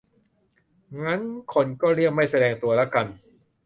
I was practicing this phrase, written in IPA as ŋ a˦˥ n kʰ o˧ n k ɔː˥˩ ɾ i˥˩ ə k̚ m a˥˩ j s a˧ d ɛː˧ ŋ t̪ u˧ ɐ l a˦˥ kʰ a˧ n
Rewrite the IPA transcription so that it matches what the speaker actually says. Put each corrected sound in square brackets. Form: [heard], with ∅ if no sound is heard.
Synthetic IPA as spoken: ŋ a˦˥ n kʰ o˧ n k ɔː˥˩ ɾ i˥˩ ə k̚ m a˥˩ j s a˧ d ɛː˧ ŋ t̪ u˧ ɐ l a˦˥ [k] a˧ n